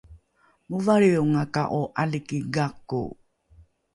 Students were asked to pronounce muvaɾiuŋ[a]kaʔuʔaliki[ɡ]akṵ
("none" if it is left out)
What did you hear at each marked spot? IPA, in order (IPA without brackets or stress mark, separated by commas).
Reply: a, ɡ